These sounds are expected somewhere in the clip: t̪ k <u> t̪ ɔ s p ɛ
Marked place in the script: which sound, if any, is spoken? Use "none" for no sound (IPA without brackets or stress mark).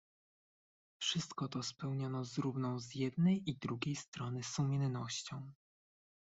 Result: ɔ